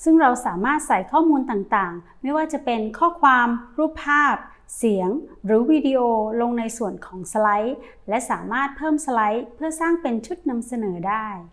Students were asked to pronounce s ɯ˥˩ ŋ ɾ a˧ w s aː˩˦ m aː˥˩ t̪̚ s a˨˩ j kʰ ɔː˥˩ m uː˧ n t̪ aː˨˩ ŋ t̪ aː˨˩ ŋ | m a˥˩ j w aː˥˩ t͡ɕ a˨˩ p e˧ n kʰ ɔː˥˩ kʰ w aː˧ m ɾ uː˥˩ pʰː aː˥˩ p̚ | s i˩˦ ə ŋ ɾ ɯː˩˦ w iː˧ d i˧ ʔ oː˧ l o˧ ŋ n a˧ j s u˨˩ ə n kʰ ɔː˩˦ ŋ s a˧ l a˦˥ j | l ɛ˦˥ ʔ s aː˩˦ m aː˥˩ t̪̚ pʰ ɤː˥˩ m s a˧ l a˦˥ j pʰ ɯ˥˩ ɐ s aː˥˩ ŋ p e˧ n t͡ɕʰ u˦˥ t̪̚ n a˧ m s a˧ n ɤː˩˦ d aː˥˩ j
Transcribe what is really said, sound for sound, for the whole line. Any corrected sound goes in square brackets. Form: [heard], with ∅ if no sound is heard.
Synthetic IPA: s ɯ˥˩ ŋ ɾ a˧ w s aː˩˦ m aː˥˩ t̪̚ s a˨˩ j kʰ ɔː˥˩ m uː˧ n t̪ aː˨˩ ŋ t̪ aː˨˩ ŋ | m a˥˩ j w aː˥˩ t͡ɕ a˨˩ p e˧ n kʰ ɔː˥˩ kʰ w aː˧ m ɾ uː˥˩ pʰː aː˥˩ p̚ | s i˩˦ ə ŋ ɾ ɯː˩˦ w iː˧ d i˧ ʔ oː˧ l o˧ ŋ n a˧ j s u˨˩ ə n kʰ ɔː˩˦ ŋ s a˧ l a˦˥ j | l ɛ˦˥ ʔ s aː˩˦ m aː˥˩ t̪̚ pʰ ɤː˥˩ m s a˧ l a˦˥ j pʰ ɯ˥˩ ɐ s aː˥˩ ŋ p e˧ n t͡ɕʰ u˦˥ t̪̚ n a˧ m s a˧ n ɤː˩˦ d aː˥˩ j